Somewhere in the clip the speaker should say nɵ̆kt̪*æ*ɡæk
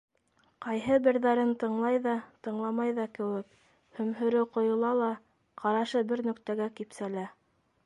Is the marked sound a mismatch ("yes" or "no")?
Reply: no